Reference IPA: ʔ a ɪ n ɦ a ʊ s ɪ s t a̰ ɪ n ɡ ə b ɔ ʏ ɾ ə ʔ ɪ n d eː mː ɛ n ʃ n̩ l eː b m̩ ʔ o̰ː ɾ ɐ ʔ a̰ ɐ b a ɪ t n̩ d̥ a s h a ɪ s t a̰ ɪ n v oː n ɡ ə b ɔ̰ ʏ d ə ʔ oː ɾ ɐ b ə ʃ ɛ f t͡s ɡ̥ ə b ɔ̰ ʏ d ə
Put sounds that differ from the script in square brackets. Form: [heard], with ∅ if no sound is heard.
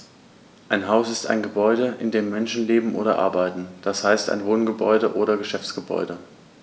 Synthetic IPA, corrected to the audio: ʔ a ɪ n ɦ a ʊ s ɪ s t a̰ ɪ n ɡ ə b ɔ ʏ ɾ ə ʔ ɪ n d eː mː ɛ n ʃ n̩ l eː b m̩ ʔ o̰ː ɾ ɐ ʔ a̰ ɐ b a ɪ t n̩ d̥ a s h a ɪ s t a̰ ɪ n v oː n ɡ ə b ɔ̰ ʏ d ə ʔ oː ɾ ɐ [ɡ] ə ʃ ɛ f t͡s ɡ̥ ə b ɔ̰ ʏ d ə